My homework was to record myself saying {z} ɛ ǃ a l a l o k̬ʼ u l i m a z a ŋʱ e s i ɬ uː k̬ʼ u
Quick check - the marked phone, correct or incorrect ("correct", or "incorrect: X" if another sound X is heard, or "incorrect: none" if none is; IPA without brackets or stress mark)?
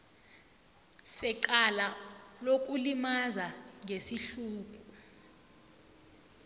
incorrect: s